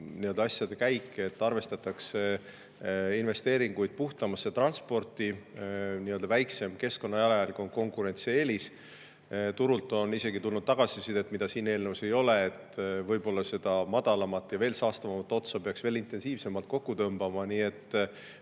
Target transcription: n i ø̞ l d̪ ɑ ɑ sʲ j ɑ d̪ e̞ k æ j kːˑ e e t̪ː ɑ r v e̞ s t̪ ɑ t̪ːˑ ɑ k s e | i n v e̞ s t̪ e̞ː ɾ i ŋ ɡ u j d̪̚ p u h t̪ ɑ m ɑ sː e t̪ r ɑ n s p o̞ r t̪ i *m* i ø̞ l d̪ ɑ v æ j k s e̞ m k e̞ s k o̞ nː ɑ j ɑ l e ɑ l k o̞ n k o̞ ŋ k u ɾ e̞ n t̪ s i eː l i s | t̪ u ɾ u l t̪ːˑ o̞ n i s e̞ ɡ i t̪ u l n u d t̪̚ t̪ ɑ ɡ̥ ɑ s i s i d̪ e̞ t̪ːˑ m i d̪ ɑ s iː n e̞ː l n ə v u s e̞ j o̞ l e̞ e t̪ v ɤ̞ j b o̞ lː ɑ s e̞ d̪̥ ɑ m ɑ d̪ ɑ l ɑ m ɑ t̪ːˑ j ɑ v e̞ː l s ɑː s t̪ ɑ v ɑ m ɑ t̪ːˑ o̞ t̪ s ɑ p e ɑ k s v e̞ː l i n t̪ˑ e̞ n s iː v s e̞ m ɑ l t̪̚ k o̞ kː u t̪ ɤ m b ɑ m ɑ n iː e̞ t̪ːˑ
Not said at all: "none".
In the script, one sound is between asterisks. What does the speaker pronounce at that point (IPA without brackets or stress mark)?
n